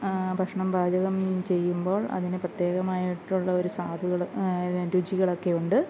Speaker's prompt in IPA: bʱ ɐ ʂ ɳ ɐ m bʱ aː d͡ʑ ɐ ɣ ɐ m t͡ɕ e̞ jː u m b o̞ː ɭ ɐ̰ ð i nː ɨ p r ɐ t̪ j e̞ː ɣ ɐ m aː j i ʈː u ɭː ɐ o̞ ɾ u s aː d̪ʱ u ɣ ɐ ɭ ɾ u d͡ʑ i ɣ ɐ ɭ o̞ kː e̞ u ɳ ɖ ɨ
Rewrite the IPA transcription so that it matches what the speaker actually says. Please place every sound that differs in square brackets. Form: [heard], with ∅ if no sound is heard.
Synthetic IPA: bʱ ɐ ʂ ɳ ɐ m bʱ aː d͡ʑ ɐ ɣ ɐ m t͡ɕ e̞ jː u m b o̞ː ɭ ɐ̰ ð i [n] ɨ p r ɐ t̪ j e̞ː ɣ ɐ m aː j i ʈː u ɭː ɐ o̞ ɾ u s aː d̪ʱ u ɣ ɐ ɭ ɾ u d͡ʑ i ɣ ɐ ɭ o̞ kː e̞ u ɳ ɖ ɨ